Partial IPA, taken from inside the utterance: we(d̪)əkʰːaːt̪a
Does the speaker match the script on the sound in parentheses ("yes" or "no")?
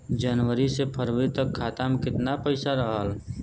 no